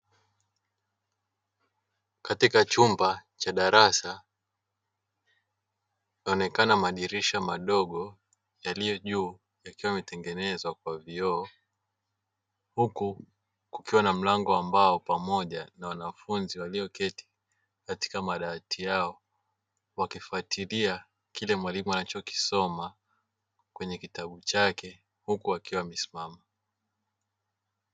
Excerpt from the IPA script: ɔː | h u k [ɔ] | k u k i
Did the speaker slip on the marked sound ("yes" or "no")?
yes